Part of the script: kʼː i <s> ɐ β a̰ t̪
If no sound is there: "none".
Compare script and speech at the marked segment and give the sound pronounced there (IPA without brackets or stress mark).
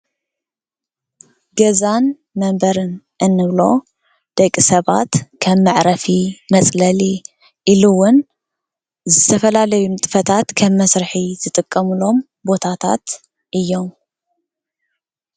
s